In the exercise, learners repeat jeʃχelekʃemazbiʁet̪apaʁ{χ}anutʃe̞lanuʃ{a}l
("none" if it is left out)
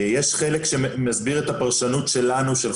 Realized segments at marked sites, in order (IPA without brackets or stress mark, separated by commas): ʃ, e